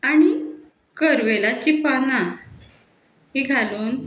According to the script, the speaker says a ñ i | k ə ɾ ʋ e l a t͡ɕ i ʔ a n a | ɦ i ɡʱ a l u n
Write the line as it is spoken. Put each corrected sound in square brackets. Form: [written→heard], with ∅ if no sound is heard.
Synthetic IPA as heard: a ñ i | k ə ɾ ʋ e l a t͡ɕ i [ʔ→p] a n a | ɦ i ɡʱ a l [u→uː] n